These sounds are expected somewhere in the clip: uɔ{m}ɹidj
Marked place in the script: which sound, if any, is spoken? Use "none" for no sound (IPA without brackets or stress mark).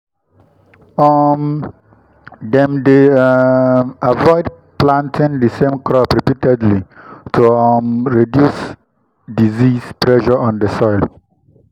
m